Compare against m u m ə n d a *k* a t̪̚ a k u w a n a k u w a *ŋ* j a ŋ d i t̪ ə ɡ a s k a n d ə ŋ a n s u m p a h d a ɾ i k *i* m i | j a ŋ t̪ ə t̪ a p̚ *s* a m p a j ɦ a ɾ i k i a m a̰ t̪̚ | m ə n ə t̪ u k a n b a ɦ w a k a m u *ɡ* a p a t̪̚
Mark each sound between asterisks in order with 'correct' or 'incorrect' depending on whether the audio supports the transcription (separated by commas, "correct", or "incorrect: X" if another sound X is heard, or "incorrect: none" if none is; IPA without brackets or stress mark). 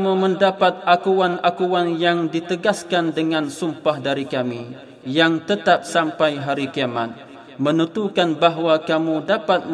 incorrect: p, incorrect: n, incorrect: a, correct, incorrect: d